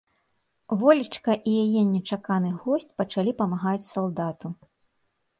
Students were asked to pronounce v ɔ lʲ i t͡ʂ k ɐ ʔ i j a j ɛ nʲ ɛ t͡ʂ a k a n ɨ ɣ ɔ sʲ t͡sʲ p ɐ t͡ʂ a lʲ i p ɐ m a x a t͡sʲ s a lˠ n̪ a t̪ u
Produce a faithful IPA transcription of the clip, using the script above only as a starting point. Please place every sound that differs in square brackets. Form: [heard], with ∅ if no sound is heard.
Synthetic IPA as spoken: v ɔ lʲ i t͡ʂ k ɐ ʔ i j a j ɛ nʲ ɛ t͡ʂ a k a n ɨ ɣ ɔ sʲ t͡sʲ p ɐ t͡ʂ a lʲ i p ɐ m a [ɣ] a t͡sʲ s a lˠ [d̪] a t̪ u